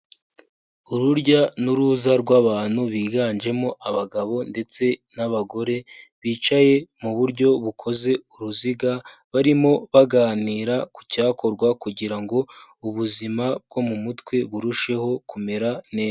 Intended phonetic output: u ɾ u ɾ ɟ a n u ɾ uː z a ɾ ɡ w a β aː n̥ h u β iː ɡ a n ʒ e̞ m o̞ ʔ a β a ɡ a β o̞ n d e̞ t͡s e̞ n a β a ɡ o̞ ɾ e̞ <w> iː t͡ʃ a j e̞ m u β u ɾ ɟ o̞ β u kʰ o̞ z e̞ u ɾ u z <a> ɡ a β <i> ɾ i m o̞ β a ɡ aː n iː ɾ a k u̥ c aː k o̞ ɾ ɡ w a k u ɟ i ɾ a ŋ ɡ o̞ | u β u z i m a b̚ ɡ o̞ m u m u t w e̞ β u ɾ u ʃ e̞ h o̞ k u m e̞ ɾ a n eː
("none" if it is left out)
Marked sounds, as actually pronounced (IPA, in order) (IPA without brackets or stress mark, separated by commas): β, i, a